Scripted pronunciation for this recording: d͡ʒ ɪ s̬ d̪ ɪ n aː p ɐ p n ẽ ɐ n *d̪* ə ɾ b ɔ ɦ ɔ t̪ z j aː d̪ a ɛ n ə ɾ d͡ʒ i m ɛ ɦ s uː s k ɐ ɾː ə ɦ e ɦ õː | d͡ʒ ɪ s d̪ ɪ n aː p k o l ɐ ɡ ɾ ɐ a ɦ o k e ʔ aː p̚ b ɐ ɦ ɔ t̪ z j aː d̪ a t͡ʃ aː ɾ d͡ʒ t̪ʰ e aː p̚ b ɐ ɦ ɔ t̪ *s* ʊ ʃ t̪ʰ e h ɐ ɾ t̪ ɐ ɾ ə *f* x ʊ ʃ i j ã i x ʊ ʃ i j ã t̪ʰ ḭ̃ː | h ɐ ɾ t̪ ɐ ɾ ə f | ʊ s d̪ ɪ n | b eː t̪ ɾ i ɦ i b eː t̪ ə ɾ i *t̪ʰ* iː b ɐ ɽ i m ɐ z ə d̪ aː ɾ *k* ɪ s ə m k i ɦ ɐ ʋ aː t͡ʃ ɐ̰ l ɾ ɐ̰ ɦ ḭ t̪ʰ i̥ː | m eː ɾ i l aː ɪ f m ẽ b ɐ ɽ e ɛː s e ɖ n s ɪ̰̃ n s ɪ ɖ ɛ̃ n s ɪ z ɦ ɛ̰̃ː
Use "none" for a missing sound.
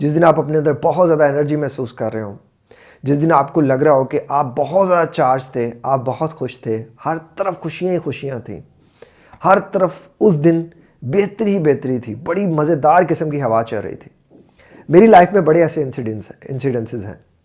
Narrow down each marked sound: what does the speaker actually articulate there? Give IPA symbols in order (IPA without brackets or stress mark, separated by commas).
d̪, x, f, t̪ʰ, k